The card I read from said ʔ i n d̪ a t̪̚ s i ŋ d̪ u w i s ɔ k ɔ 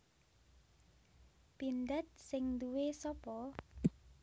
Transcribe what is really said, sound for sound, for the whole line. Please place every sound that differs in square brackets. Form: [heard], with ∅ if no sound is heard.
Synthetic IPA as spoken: [p] i n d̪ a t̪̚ s [ɪ] ŋ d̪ u w [e] s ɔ [p] ɔ